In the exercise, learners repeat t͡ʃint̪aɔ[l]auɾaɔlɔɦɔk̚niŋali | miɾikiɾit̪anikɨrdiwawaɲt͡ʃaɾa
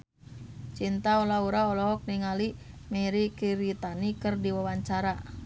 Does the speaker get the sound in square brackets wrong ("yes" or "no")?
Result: no